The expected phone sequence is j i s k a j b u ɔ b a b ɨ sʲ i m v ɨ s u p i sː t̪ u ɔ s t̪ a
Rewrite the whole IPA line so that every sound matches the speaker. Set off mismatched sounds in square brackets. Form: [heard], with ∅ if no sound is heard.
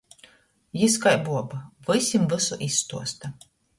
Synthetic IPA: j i s k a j b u ɔ b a [v] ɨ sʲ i m v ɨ s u [ʔ] i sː t̪ u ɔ s t̪ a